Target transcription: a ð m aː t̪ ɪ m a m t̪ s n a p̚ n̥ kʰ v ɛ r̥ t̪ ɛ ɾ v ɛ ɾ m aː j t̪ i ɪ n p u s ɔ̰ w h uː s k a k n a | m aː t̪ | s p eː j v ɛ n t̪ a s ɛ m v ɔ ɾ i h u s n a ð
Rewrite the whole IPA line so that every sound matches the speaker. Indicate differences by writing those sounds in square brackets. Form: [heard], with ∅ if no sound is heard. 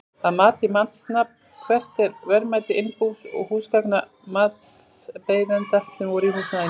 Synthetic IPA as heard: a ð m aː t̪ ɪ m a [n] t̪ s n a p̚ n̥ kʰ v ɛ r̥ t̪ ɛ ɾ v ɛ ɾ m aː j t̪ [ɪ] ɪ n p u s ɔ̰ [ɣ] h uː s k a k n a | m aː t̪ | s p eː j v ɛ n t̪ a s ɛ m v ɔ ɾ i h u s n a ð